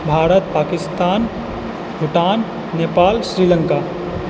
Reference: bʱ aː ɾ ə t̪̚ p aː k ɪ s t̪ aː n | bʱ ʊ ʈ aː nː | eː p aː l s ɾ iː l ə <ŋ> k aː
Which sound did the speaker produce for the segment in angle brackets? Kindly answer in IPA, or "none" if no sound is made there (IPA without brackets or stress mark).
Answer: ŋ